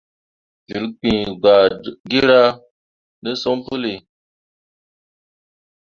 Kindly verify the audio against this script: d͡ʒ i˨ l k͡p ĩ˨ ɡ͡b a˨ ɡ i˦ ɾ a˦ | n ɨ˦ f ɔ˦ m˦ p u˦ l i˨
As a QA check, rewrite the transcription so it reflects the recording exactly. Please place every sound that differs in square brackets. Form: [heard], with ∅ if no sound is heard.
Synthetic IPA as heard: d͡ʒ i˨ l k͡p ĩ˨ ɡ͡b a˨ ɡ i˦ ɾ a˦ | n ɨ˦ [s] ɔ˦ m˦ p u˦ l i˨